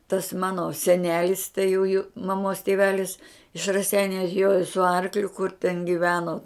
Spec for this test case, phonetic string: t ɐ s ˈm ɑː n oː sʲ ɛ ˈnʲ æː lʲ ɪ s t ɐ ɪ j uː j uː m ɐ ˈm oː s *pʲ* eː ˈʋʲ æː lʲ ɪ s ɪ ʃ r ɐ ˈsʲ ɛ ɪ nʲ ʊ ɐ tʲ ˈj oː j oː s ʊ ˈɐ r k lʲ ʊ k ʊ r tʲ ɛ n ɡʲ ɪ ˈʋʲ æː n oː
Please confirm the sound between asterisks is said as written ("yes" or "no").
no